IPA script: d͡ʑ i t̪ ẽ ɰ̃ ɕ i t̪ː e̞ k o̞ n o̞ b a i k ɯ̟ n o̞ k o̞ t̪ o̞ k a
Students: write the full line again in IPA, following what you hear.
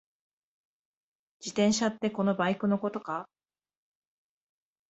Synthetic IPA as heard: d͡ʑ i t̪ ẽ ɰ̃ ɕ a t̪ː e̞ k o̞ n o̞ b a i k ɯ̟ n o̞ k o̞ t̪ o̞ k a